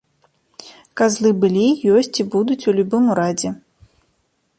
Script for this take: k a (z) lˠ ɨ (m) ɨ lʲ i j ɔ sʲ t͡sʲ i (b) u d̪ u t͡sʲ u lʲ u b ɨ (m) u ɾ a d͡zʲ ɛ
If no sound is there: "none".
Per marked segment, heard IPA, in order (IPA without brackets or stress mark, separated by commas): z, b, b, m